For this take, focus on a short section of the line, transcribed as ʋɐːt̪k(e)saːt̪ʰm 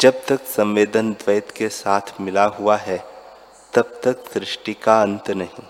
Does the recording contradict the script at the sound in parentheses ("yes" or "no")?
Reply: no